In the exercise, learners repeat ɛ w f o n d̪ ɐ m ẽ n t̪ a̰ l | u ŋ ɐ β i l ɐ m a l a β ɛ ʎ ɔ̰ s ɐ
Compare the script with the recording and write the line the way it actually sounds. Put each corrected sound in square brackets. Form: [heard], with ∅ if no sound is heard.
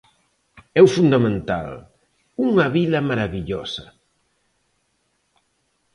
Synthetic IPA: ɛ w f [u] n d̪ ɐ m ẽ n t̪ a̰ l | u ŋ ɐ β i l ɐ m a [ɾ] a β [i] ʎ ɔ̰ s ɐ

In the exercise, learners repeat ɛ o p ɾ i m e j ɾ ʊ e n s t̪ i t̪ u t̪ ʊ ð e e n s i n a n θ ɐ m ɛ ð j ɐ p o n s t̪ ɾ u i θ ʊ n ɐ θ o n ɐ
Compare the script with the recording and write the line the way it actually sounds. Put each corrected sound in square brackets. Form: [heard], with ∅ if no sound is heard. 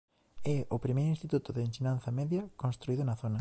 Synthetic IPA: ɛ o p ɾ i m e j ɾ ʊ [i] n s t̪ i t̪ u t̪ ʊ ð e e n s i n a n θ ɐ m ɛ ð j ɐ [k] o n s t̪ ɾ u i [ð] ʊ n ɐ θ o n ɐ

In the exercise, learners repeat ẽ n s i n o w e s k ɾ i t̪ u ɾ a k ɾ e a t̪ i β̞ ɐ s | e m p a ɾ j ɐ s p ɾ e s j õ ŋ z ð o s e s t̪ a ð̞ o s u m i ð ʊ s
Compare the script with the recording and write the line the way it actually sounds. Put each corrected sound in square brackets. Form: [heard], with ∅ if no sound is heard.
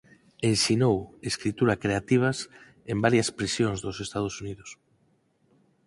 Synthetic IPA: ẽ n s i n o w e s k ɾ i t̪ u ɾ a k ɾ e a t̪ i β̞ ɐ s | e m [b] a ɾ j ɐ s p ɾ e s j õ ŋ z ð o s e s t̪ a ð̞ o s u [n] i ð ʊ s

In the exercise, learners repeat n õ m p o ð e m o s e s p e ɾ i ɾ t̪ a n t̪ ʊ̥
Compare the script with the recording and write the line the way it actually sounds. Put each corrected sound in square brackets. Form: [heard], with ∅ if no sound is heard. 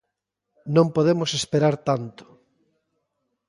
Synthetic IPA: n õ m p o ð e m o s e s p e ɾ [a] ɾ t̪ a n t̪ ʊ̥

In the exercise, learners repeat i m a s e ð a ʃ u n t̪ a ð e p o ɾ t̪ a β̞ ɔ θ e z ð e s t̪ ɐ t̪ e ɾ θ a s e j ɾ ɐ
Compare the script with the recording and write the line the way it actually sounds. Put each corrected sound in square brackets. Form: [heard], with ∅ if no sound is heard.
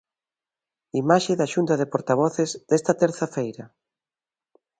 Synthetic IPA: i m a [ʃ] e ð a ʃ u n t̪ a ð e p o ɾ t̪ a β̞ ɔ θ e z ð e s t̪ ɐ t̪ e ɾ θ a [f] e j ɾ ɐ

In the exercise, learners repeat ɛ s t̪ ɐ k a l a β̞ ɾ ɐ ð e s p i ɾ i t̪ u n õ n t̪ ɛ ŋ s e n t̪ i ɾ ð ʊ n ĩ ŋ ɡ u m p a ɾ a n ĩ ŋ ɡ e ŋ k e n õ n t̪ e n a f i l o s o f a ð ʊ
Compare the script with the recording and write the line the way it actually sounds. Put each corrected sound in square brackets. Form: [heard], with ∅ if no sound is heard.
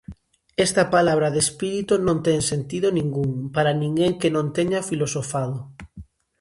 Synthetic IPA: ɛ s t̪ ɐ [p] a l a β̞ ɾ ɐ ð e s p i ɾ i t̪ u n õ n t̪ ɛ ŋ s e n t̪ i [∅] ð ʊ n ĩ ŋ ɡ u [ŋ] p a ɾ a n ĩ ŋ ɡ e ŋ k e n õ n t̪ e [ɲ] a f i l o s o f a ð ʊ

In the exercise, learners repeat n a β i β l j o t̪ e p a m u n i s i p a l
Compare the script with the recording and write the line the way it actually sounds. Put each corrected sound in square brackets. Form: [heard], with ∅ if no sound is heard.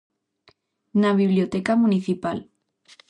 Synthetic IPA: n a β i β l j o t̪ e [k] a m u n i [θ] i p a l

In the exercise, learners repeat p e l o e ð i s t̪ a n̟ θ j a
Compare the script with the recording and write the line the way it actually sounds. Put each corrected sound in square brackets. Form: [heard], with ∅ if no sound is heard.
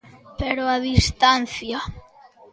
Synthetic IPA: p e [ɾ] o [a] ð i s t̪ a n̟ θ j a

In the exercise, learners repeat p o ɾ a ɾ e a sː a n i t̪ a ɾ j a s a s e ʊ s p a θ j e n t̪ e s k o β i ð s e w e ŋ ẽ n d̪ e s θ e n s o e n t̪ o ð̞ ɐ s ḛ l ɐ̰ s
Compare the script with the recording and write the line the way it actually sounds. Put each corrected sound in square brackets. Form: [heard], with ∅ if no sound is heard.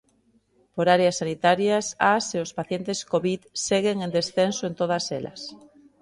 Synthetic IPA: p o ɾ a ɾ e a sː a n i t̪ a ɾ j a s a s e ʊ s p a θ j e n t̪ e s k o β i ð s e [ɣ] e ŋ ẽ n d̪ e s θ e n s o e n t̪ o ð̞ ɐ s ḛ l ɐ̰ s

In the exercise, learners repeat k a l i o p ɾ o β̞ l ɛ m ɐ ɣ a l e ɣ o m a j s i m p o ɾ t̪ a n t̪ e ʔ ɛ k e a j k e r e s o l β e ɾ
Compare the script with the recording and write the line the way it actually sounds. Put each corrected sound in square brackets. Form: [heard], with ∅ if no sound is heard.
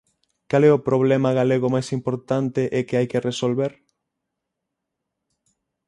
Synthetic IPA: k a l [ɛ] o p ɾ o β̞ l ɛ m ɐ ɣ a l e ɣ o m a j s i m p o ɾ t̪ a n t̪ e ʔ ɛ k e a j k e r e s o l β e ɾ

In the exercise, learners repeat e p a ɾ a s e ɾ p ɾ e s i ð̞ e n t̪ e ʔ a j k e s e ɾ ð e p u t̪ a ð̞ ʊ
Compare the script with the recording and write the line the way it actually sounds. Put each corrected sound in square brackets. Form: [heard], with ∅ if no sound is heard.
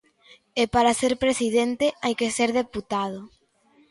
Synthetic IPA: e p a ɾ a s e ɾ p ɾ e s i ð̞ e n t̪ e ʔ a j k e s e ɾ ð e p u t̪ a ð̞ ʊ

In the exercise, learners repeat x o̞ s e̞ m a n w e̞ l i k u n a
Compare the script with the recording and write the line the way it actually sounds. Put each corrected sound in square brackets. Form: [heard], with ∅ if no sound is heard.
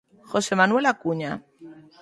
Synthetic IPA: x o̞ s e̞ m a n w e̞ l [a] k u [ɲ] a

